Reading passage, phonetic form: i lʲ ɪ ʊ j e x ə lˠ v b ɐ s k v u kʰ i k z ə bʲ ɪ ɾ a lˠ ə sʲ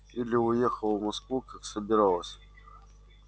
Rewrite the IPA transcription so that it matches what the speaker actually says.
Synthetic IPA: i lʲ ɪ ʊ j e x ə lˠ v m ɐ s k v u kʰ a k s ə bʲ ɪ ɾ a lˠ ə sʲ